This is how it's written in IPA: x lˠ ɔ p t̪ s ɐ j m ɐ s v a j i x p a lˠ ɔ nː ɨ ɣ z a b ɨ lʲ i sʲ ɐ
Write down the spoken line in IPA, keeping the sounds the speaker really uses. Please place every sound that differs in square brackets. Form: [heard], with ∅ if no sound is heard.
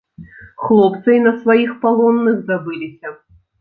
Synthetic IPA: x lˠ ɔ p t̪ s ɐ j [n] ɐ s v a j i x p a lˠ ɔ nː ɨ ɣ z a b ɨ lʲ i sʲ ɐ